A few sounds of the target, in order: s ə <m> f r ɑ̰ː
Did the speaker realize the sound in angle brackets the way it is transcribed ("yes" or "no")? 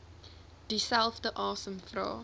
yes